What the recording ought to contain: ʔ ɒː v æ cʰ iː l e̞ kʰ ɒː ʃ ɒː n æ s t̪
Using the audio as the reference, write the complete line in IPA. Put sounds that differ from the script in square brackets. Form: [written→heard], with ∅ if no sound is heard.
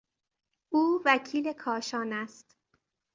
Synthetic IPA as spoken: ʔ [ɒː→uː] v æ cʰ iː l e̞ kʰ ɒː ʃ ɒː n æ s t̪